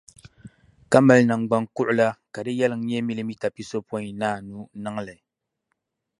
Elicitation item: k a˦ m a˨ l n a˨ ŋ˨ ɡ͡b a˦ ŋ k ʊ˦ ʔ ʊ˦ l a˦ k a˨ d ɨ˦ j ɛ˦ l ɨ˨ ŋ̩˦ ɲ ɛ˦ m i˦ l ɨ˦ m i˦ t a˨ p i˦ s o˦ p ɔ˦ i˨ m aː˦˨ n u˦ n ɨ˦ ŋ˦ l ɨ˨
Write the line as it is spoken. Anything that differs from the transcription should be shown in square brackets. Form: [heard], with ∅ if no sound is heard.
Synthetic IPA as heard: k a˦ m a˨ l n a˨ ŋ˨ ɡ͡b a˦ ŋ k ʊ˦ ʔ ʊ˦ l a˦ k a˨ d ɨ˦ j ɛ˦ l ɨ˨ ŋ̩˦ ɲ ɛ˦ m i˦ l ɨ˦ m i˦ t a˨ p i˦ s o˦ p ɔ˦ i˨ [n] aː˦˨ n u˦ n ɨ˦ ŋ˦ l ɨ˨